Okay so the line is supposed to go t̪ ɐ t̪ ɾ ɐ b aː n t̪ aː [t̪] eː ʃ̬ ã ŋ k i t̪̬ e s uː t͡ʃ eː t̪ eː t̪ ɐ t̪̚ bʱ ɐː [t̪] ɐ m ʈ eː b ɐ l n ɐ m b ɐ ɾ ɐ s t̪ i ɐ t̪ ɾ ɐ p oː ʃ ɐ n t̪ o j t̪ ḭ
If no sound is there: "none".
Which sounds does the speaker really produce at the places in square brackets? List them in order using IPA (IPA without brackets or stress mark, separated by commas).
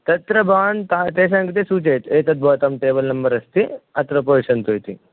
t̪, t̪